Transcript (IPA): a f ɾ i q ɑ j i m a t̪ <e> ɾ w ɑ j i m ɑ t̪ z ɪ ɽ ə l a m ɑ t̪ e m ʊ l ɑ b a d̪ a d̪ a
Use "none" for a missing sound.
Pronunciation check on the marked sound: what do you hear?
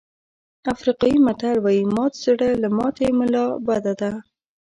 a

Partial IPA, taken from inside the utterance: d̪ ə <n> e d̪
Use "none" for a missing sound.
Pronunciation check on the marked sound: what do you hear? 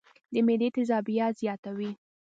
m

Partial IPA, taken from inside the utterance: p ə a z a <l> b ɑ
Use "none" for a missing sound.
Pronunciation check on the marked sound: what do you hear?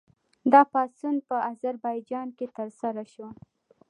ɾ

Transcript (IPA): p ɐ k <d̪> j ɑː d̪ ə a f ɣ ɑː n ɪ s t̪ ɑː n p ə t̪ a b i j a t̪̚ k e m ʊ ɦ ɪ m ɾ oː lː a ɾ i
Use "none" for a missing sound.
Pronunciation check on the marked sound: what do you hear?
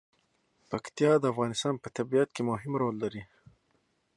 t̪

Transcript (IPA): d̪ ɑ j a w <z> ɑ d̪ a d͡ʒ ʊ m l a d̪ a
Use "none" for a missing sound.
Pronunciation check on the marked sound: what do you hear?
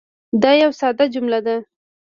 s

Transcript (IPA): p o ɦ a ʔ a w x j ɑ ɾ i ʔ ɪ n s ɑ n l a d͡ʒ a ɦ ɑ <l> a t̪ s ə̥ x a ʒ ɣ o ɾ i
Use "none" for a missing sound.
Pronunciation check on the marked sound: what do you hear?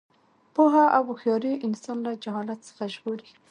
l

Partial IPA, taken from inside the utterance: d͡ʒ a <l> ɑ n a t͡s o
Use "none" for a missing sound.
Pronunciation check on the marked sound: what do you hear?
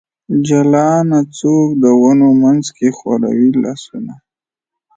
l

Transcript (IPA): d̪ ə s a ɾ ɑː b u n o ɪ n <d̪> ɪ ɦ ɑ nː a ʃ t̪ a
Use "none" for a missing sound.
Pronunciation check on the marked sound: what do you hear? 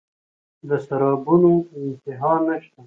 t̪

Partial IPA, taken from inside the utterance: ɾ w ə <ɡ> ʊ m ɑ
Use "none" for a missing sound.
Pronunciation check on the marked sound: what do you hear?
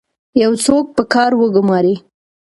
ɡ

